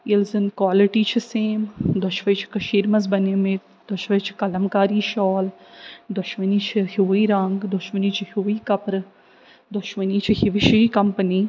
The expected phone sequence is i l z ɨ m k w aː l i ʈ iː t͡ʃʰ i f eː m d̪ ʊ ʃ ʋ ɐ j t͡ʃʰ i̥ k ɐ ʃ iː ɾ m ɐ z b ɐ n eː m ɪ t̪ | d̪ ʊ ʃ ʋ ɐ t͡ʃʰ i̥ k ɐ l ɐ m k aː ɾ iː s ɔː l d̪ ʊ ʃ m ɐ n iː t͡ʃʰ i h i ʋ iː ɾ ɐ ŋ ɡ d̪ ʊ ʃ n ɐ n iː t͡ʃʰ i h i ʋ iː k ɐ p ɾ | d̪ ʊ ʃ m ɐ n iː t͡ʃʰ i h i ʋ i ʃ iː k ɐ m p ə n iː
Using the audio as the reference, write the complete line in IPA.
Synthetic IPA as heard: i l z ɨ n k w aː l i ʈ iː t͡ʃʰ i s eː m d̪ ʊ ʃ ʋ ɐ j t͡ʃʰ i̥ k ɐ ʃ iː ɾ m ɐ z b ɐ n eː m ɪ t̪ | d̪ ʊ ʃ ʋ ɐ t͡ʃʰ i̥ k ɐ l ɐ m k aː ɾ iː ʃ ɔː l d̪ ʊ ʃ m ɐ n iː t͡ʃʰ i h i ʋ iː ɾ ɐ ŋ ɡ d̪ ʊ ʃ m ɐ n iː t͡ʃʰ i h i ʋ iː k ɐ p ɾ | d̪ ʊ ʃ m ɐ n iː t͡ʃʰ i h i ʋ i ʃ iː k ɐ m p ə n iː